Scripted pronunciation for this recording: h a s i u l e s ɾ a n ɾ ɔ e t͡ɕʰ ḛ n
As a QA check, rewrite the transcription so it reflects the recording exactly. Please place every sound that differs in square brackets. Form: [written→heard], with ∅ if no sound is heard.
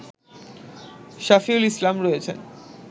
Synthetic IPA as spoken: [h→ʃ] a [s→f] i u l [e→i] s [ɾ→l] a [n→m] ɾ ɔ e t͡ɕʰ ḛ n